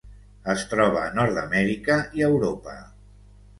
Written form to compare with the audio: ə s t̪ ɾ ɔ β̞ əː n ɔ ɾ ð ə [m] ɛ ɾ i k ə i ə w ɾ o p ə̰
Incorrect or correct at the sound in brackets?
correct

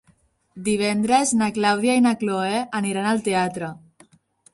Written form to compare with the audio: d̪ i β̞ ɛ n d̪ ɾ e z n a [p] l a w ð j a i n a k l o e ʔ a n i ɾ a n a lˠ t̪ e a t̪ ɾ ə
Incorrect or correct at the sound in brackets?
incorrect: k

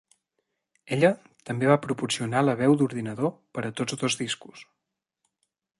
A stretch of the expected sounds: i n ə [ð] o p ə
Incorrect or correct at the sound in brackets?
correct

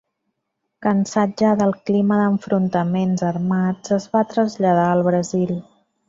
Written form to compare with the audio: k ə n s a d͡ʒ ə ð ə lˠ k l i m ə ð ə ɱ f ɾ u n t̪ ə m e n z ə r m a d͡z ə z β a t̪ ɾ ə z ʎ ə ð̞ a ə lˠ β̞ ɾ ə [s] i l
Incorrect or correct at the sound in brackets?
incorrect: z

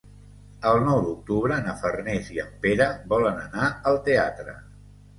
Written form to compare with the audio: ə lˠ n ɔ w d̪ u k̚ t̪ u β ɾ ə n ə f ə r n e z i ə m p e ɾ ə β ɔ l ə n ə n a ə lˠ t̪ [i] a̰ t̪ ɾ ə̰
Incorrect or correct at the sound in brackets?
incorrect: e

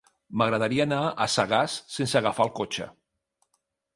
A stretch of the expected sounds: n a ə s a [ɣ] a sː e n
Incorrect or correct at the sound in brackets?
correct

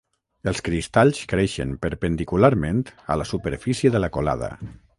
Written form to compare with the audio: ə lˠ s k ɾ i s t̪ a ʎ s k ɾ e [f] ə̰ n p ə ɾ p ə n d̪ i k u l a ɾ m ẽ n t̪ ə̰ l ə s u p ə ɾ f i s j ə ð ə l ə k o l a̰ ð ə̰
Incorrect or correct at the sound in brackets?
incorrect: ʃ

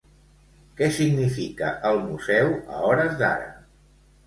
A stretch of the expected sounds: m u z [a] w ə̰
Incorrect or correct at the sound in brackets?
incorrect: ɛ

